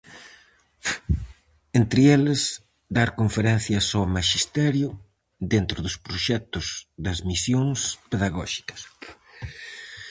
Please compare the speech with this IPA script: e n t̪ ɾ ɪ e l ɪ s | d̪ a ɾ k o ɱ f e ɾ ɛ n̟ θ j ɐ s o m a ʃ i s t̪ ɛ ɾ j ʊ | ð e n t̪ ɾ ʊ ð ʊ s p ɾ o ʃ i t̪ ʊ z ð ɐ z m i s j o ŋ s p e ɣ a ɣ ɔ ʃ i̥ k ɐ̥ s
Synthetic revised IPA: e n t̪ ɾ ɪ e l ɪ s | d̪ a ɾ k o ɱ f e ɾ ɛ n̟ θ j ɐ s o m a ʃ i s t̪ ɛ ɾ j ʊ | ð e n t̪ ɾ ʊ ð ʊ s p ɾ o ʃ ɛ t̪ ʊ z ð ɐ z m i s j o ŋ s p e ð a ɣ ɔ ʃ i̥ k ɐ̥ s